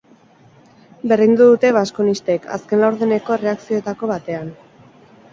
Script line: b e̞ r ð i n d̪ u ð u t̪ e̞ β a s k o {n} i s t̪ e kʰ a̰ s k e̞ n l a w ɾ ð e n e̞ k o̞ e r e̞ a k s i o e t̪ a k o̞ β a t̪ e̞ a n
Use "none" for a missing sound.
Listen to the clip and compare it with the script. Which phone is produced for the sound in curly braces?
n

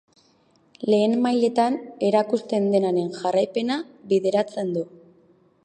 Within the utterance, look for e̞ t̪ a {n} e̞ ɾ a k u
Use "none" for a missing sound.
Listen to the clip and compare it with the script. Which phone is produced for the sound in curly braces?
n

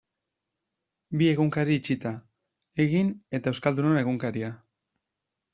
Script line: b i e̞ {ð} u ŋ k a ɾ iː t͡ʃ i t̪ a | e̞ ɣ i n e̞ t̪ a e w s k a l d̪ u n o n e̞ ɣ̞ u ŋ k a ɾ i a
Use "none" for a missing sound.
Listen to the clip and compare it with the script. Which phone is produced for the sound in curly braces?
ɣ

